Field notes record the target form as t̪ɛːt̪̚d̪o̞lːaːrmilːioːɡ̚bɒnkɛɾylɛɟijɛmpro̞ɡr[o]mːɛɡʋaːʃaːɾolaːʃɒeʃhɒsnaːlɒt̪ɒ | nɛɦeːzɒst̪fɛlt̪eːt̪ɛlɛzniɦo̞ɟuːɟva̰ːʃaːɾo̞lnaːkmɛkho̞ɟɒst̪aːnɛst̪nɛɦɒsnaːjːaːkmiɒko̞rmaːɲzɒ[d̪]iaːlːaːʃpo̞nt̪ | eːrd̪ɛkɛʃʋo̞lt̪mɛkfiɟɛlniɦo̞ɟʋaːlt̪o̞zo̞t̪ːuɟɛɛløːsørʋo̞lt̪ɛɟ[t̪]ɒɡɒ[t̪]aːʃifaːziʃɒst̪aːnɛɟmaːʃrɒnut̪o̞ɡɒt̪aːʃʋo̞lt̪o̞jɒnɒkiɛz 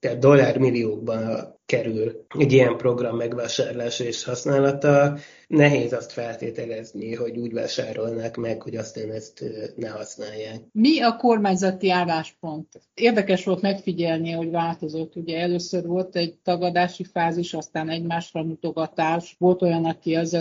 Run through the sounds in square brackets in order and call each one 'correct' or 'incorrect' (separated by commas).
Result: incorrect, incorrect, correct, incorrect